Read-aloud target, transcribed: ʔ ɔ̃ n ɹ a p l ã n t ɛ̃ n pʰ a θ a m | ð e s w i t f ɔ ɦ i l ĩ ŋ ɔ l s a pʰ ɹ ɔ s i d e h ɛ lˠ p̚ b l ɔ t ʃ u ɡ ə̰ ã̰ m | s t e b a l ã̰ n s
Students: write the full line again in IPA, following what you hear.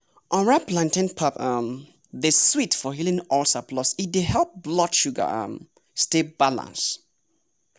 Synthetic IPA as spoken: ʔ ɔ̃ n ɹ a p l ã n t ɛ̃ n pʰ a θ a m | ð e s w i t f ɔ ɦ i l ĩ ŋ ɔ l s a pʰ l ɔ s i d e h ɛ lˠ p̚ b l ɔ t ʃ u ɡ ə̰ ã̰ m | s t e b a l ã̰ n s